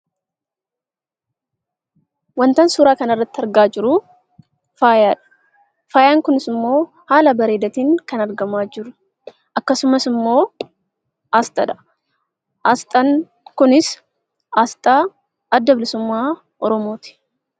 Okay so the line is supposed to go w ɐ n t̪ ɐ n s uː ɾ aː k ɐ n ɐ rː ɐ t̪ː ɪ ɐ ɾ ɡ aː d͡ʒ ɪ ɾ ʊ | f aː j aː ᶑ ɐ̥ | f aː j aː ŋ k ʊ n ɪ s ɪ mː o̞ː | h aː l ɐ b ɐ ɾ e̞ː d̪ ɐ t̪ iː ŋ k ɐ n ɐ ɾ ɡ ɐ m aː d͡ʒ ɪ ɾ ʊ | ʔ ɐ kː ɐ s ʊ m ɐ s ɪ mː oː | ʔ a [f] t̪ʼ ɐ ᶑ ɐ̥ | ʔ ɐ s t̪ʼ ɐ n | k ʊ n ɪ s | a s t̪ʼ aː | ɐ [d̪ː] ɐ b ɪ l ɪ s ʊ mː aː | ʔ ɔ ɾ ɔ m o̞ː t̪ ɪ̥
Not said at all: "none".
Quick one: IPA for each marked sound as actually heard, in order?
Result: s, d̪ː

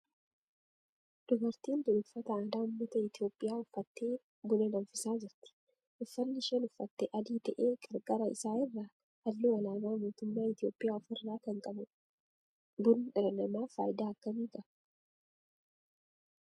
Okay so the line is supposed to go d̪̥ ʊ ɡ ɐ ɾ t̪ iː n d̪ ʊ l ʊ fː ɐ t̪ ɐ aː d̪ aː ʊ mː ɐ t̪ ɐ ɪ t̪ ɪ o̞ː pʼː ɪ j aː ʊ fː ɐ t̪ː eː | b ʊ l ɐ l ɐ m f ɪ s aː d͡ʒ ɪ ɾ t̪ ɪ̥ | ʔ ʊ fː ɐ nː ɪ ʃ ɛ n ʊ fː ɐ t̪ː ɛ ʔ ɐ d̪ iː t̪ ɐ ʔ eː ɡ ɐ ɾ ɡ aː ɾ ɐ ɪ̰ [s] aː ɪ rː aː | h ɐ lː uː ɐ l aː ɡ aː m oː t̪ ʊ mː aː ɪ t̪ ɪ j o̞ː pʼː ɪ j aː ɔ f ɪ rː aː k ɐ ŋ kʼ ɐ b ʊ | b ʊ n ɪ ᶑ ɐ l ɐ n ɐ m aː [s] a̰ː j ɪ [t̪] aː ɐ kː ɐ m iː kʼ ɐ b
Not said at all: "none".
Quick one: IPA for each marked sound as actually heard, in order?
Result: s, f, d̪

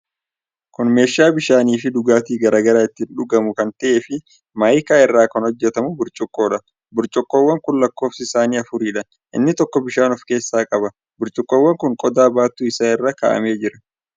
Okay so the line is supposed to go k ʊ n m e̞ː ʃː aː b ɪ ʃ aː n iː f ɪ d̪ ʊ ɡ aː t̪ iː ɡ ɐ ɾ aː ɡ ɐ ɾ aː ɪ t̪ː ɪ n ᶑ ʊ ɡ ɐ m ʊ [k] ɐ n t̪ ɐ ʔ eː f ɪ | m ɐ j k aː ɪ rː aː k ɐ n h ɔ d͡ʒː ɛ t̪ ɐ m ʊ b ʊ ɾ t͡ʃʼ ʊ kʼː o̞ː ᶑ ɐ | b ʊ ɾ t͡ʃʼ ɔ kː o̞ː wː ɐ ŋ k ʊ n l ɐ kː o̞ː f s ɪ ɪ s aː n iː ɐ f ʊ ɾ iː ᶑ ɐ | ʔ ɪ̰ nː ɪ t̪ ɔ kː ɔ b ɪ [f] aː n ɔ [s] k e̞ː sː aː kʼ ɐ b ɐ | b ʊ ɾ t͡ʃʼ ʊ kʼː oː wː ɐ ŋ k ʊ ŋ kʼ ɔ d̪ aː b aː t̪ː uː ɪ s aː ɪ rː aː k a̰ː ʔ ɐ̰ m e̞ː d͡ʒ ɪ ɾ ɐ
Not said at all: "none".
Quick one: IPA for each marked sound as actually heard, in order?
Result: k, ʃ, f

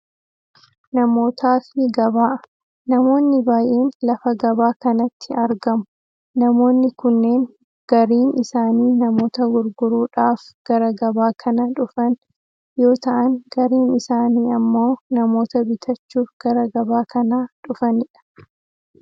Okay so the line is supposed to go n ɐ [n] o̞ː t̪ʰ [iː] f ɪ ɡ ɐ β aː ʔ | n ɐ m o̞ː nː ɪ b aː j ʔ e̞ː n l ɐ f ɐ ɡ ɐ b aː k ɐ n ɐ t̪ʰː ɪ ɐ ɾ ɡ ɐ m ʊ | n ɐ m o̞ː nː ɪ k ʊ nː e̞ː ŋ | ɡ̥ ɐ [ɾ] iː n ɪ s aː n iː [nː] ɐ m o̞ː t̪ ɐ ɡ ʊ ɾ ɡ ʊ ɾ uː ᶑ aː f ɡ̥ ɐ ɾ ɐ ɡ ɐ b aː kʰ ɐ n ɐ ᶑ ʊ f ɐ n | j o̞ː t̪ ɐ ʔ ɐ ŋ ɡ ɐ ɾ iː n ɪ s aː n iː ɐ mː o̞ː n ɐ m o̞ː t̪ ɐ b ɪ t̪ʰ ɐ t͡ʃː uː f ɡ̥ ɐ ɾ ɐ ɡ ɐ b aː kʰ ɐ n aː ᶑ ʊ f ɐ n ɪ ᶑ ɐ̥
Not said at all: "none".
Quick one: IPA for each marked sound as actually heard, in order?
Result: m, aː, ɾ, n

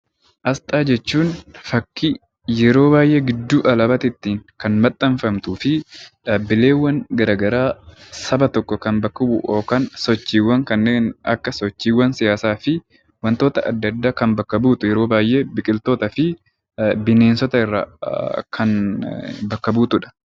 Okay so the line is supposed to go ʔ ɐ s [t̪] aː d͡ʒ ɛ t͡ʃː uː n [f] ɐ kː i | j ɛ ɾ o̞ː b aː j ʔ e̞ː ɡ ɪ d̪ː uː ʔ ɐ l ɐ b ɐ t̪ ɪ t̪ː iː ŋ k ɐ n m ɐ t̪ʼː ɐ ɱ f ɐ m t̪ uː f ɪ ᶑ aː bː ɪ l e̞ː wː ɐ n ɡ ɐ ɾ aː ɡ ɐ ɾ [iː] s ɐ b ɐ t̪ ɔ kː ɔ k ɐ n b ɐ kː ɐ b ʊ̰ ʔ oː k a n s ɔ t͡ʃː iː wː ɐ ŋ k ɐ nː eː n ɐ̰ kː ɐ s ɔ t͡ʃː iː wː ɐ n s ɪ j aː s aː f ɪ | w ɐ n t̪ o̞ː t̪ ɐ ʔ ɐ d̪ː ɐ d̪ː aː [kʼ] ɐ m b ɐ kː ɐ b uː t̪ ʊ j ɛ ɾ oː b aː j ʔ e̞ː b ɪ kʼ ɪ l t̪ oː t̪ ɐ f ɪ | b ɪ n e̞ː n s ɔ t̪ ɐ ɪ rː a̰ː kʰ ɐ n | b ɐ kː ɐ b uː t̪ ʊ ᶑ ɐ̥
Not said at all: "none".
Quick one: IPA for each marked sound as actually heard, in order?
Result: t̪ʼ, f, aː, k

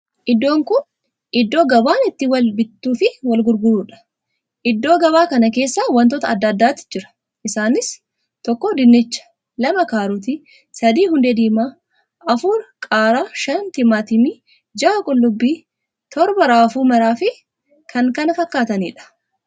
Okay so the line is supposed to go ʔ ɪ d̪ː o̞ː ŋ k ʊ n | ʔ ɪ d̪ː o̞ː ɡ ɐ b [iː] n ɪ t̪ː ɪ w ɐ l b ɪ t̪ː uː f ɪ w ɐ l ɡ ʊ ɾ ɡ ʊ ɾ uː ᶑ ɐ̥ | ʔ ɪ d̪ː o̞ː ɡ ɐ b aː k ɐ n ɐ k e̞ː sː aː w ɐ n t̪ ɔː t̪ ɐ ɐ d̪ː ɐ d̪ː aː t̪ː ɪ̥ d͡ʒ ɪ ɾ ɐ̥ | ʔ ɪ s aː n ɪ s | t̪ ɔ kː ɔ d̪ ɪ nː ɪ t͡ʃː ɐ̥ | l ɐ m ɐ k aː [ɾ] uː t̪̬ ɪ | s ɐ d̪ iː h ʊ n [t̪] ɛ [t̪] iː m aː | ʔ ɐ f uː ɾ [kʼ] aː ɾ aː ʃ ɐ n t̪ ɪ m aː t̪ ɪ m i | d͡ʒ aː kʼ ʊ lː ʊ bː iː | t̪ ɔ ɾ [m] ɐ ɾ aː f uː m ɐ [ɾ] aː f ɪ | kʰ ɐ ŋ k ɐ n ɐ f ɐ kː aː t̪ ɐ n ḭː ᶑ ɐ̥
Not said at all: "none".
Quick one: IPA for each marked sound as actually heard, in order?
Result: aː, ɾ, d̪, d̪, kʼ, b, ɾ

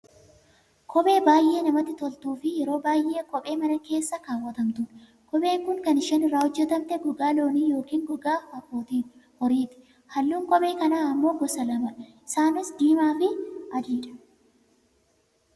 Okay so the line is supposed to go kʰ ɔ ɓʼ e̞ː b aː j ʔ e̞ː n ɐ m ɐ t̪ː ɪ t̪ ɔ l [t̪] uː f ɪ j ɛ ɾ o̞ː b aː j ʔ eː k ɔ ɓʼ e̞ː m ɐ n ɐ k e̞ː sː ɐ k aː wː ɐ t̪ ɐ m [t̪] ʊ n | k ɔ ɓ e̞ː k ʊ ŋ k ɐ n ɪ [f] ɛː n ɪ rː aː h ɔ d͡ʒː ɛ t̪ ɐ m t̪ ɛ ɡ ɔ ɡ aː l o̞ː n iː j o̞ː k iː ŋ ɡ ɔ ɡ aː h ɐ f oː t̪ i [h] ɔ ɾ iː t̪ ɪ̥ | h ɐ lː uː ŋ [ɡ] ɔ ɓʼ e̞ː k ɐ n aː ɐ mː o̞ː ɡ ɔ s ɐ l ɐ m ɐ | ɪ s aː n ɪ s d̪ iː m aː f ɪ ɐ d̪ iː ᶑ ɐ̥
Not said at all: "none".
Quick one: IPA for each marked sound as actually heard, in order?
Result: t̪, t̪, ʃ, h, k

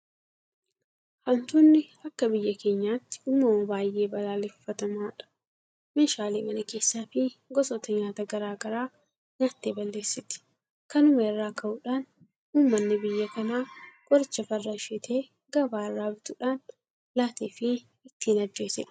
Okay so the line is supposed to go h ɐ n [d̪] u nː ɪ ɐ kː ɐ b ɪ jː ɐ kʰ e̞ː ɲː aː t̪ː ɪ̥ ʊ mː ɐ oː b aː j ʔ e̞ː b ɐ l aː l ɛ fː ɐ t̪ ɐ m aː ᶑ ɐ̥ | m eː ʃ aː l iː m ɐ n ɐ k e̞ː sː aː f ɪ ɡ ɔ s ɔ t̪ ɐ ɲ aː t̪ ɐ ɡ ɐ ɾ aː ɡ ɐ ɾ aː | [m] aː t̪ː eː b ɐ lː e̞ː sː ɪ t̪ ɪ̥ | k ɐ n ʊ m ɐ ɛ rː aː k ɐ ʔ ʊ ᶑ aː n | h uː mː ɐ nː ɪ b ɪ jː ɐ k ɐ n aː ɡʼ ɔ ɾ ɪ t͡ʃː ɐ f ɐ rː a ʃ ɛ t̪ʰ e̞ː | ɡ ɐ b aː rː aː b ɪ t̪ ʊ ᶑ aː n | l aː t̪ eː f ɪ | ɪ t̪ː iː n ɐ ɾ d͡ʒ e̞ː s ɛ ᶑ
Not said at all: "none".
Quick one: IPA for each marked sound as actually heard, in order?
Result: t̪, ɲ

